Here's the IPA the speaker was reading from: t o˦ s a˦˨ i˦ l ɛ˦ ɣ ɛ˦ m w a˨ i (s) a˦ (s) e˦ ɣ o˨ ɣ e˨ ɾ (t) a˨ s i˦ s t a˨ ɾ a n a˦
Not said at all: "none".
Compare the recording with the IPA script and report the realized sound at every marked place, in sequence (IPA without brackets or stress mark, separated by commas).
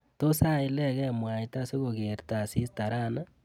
t, s, t